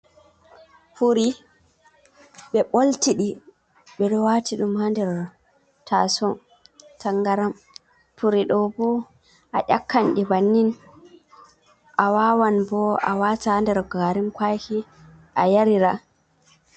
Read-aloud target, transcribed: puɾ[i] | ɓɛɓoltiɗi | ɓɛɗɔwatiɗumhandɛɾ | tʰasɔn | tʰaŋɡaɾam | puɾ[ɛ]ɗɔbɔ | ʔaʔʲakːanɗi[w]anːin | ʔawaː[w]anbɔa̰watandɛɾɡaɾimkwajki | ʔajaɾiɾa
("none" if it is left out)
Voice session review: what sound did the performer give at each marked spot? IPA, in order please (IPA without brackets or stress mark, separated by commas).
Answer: i, i, b, w